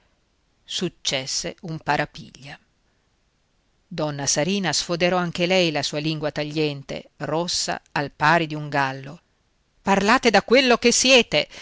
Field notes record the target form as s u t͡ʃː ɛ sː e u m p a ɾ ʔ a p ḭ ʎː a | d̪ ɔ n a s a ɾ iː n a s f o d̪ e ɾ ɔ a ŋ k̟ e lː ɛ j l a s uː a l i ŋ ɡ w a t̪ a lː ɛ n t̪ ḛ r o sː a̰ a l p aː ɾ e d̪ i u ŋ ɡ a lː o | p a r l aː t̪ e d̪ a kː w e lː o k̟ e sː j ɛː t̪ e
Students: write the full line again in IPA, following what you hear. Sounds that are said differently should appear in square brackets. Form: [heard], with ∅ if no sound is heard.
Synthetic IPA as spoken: s u t͡ʃː ɛ sː e u m p a ɾ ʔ a p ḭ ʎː a | d̪ ɔ [nː] a s a ɾ iː n a s f o d̪ e ɾ ɔ a ŋ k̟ e [l] ɛ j l a s uː a l i ŋ ɡ w a t̪ a [ʎː] ɛ n t̪ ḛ r o sː a̰ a l p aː ɾ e d̪ i u ŋ ɡ a lː o | p a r l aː t̪ e d̪ a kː w e lː o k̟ e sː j ɛː t̪ e